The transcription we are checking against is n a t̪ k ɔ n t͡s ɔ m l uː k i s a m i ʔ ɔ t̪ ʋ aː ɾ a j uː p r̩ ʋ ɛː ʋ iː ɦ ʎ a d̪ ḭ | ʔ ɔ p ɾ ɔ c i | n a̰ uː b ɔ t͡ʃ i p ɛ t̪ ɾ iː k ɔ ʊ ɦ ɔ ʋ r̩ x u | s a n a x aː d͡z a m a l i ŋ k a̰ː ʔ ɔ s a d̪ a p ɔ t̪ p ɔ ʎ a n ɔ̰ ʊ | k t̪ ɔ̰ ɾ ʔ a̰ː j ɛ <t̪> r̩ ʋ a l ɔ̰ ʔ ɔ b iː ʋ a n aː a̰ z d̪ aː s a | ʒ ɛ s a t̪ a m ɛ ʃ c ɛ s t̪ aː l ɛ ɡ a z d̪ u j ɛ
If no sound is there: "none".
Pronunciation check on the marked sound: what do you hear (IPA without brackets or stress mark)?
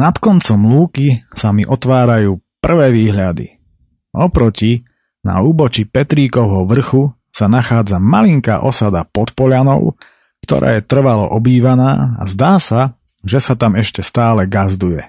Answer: t̪